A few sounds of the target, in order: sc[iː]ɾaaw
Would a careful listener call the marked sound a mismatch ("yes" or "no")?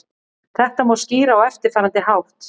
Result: no